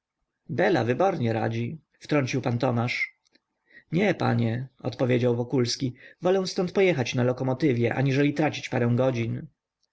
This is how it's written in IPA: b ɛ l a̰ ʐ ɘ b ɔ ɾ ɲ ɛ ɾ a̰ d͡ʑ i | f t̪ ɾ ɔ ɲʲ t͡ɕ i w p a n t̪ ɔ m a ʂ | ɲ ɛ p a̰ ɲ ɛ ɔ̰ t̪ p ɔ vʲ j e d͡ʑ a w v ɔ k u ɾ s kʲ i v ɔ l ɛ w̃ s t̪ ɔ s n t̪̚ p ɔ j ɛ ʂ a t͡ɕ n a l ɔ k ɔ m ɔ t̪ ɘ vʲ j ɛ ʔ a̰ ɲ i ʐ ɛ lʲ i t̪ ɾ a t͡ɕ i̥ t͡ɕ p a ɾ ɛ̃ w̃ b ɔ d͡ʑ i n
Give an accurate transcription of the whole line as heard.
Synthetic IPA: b ɛ l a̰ v ɘ b ɔ ɾ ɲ ɛ ɾ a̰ d͡ʑ i | f t̪ ɾ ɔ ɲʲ t͡ɕ i w p a n t̪ ɔ m a ʂ | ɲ ɛ p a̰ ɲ ɛ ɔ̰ t̪ p ɔ vʲ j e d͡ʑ a w v ɔ k u l s kʲ i v ɔ l ɛ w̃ s t̪ ɔ n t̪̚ p ɔ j ɛ x a t͡ɕ n a l ɔ k ɔ m ɔ t̪ ɘ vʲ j ɛ ʔ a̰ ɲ i ʐ ɛ lʲ i t̪ ɾ a t͡ɕ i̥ t͡ɕ p a ɾ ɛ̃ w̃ ɡ ɔ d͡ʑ i n

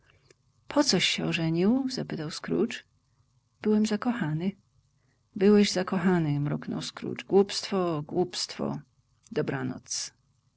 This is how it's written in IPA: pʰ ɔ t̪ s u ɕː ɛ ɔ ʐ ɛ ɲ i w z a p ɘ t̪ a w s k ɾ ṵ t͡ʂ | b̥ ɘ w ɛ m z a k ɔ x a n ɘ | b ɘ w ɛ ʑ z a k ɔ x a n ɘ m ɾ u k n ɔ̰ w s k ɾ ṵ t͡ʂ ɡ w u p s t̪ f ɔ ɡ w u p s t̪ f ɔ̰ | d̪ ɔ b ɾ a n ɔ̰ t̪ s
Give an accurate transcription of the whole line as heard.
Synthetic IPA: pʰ ɔ t̪ s ɔ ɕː ɛ ɔ ʐ ɛ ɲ i w z a p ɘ t̪ a w s k ɾ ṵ t͡ʂ | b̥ ɘ w ɛ m z a k ɔ x a n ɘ | b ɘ w ɛ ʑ z a k ɔ x a n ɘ m ɾ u k n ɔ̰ w s k ɾ ṵ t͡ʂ ɡ w u p s t̪ f ɔ ɡ w u p s t̪ f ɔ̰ | d̪ ɔ b ɾ a n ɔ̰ t̪ s

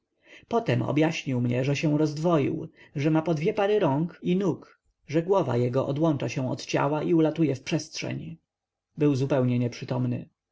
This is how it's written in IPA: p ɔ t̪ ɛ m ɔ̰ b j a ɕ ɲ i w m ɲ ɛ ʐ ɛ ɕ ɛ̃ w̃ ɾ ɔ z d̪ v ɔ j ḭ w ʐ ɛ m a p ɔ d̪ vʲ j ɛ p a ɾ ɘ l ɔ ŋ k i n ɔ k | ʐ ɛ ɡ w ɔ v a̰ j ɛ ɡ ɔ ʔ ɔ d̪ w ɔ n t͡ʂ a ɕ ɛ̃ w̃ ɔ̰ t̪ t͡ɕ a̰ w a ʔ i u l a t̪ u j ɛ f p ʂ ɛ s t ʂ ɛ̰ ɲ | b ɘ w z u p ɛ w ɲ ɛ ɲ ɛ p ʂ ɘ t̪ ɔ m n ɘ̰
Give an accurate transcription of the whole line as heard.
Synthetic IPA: p ɔ t̪ ɛ m ɔ̰ b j a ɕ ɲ i w m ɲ ɛ ʐ ɛ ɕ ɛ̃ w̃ ɾ ɔ z d̪ v ɔ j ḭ w ʐ ɛ m a p ɔ d̪ vʲ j ɛ p a ɾ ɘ ɾ ɔ ŋ k i n u k | ʐ ɛ ɡ w ɔ v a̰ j ɛ ɡ ɔ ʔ ɔ d̪ w ɔ n t͡ʂ a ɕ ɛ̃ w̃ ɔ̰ t̪ t͡ɕ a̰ w a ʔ i u l a t̪ u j ɛ f p ʂ ɛ s t ʂ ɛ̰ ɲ | b ɘ w z u p ɛ w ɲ ɛ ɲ ɛ p ʂ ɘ t̪ ɔ m n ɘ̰

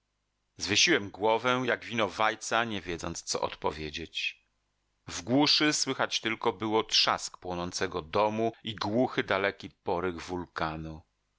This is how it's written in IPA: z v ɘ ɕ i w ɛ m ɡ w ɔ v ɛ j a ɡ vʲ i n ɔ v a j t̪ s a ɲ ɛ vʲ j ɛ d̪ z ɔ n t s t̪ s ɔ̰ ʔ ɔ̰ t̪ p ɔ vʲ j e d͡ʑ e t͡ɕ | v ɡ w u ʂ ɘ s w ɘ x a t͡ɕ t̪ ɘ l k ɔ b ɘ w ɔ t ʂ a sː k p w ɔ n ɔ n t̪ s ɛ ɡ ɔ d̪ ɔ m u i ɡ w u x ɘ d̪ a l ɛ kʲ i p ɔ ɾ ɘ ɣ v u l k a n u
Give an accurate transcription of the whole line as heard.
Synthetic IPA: z v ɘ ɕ i w ɛ m ɡ w ɔ v ɛ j a ɡ vʲ i n ɔ v a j t̪ s a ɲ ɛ vʲ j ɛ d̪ z ɔ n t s t̪ s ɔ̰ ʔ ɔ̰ t̪ p ɔ vʲ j e d͡ʑ e t͡ɕ | v ɡ w u ʂ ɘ s w ɘ x a t͡ɕ t̪ ɘ l k ɔ b ɘ w ɔ t ʂ a s k p w ɔ n ɔ n t̪ s ɛ ɡ ɔ d̪ ɔ m u i ɡ w u x ɘ d̪ a l ɛ kʲ i p ɔ ɾ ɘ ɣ v u l k a n u

